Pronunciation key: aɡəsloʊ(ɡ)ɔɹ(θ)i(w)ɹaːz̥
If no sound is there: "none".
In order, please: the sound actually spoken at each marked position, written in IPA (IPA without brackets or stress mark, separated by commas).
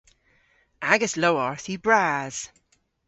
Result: none, θ, b